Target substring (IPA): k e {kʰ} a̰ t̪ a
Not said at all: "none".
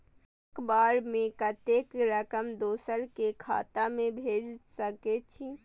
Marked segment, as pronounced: kʰ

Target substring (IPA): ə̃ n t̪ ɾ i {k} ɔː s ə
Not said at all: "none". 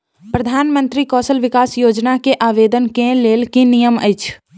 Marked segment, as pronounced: k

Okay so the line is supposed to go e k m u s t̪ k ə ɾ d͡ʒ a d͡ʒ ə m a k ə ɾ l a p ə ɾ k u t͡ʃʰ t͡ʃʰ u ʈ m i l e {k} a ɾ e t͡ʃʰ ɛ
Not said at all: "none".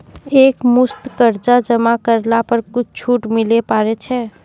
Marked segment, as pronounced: p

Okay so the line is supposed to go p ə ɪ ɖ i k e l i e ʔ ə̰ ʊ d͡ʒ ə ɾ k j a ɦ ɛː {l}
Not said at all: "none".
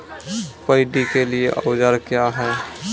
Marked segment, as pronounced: none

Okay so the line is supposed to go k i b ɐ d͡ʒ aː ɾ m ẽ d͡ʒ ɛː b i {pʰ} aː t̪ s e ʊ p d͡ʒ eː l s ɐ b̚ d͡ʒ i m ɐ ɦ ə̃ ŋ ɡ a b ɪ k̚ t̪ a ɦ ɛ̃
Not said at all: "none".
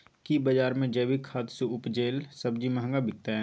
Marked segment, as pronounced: kʰ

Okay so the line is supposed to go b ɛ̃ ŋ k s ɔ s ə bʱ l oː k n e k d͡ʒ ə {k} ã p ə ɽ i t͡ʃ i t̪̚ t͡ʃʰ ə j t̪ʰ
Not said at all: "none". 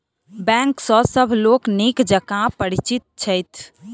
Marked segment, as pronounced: k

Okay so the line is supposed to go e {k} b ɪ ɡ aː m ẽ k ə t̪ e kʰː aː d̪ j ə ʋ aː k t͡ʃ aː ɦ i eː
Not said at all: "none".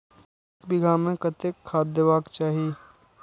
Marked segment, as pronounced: k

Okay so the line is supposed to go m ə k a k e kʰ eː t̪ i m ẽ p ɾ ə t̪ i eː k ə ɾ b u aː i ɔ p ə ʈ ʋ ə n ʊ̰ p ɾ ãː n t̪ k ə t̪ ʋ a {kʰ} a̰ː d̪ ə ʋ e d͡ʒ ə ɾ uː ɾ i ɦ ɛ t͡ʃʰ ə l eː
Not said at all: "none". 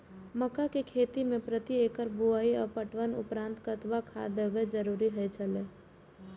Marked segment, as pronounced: kʰ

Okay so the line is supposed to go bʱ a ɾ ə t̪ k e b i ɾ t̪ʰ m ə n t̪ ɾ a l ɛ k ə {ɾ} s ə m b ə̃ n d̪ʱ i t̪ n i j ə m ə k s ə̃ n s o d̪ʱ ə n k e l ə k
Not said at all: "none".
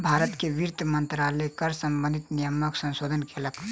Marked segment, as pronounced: ɾ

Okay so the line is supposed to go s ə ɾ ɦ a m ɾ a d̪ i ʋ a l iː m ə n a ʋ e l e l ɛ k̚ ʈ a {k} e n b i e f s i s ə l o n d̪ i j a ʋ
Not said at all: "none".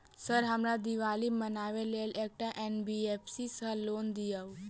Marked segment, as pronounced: ʔ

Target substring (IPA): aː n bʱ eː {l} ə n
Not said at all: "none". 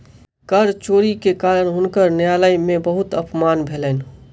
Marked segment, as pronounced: l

